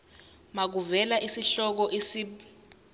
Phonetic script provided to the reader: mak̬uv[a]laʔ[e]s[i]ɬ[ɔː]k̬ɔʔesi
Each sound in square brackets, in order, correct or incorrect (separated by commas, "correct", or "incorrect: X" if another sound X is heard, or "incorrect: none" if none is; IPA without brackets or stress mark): incorrect: ɛ, incorrect: i, correct, incorrect: ɔ